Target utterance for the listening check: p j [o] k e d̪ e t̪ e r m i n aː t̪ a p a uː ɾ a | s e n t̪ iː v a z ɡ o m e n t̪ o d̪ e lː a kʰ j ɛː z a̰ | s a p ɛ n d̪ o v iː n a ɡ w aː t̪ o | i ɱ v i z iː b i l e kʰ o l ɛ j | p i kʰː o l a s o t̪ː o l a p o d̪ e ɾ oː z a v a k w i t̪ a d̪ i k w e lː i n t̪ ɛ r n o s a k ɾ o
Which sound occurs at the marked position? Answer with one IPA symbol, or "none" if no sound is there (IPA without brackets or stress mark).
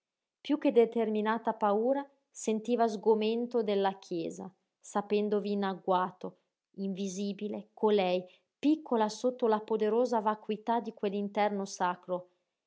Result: u